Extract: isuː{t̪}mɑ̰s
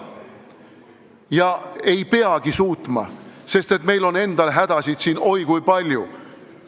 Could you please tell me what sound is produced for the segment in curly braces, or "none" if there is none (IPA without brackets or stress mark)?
t̪